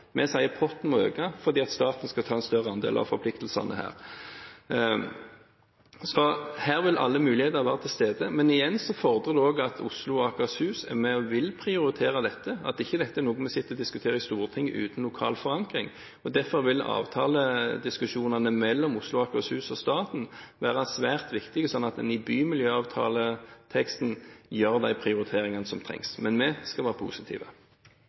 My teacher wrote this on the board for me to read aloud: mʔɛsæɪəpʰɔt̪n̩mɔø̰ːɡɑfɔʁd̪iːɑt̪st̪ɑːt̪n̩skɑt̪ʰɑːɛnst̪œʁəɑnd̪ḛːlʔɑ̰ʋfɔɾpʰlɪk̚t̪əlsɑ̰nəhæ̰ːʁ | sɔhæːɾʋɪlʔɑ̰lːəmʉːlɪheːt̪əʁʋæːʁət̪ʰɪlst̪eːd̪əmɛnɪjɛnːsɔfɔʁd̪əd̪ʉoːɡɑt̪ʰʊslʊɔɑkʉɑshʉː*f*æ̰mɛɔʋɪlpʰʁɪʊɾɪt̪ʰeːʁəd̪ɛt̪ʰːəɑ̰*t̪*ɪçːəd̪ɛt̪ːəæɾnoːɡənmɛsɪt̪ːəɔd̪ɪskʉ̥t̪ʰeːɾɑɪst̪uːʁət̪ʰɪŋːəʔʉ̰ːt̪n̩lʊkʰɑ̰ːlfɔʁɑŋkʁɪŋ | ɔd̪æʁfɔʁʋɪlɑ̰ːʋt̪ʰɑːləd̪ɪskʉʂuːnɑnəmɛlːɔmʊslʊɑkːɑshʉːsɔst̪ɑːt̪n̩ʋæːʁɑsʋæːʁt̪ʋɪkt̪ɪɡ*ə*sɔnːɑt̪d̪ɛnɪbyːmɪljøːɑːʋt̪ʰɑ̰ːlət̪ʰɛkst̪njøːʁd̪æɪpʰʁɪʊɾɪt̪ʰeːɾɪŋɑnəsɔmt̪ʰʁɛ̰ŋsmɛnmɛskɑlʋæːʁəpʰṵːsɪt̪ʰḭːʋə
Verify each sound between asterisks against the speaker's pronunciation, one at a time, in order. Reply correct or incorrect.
incorrect: s, correct, correct

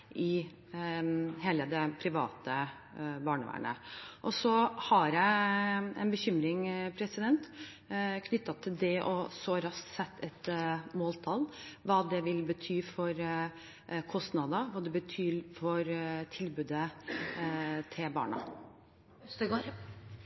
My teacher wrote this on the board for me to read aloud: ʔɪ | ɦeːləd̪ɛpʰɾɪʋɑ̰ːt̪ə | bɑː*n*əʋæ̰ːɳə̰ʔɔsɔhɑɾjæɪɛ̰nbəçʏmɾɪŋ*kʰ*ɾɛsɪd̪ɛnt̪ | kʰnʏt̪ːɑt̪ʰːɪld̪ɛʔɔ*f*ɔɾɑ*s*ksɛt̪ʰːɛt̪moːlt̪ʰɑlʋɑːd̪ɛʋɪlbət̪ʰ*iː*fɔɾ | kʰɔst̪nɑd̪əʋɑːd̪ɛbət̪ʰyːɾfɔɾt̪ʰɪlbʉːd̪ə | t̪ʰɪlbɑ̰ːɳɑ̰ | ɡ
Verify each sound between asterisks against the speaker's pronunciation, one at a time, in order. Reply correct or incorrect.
incorrect: ɳ, incorrect: pʰ, incorrect: s, correct, incorrect: yː

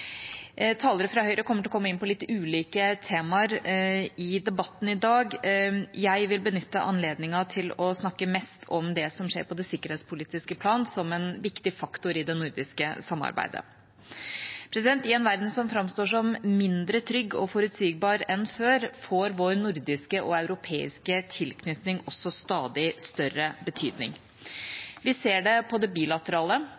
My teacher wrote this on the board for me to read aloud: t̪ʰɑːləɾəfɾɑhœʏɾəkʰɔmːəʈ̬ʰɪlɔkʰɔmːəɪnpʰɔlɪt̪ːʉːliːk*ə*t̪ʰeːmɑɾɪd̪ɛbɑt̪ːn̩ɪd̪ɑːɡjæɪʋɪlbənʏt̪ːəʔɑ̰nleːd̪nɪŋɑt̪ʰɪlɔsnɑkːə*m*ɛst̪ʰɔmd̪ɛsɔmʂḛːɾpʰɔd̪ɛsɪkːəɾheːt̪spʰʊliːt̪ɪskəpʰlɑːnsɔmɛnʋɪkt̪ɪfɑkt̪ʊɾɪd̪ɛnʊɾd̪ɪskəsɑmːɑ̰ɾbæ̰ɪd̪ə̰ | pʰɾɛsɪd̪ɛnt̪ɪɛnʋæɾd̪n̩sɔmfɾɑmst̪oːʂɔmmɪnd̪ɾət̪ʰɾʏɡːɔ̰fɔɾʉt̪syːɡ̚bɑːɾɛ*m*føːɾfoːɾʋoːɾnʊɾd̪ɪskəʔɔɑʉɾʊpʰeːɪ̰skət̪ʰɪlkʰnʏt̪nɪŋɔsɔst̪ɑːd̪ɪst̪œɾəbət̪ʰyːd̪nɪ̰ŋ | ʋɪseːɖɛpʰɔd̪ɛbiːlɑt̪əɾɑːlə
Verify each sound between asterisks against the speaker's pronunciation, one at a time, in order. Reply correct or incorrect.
correct, correct, incorrect: n

